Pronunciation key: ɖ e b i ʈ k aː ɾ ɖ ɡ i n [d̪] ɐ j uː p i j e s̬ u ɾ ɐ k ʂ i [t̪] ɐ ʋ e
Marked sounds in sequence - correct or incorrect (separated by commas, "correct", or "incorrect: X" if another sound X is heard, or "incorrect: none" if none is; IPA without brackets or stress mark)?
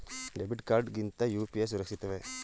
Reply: incorrect: t̪, correct